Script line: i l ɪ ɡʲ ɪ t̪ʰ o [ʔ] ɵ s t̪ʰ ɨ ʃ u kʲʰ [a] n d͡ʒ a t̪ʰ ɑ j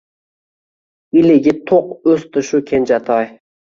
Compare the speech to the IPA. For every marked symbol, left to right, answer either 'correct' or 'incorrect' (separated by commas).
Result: incorrect, incorrect